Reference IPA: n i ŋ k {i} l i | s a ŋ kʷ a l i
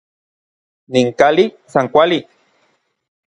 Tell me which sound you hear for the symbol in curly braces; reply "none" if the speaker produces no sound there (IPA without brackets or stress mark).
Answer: a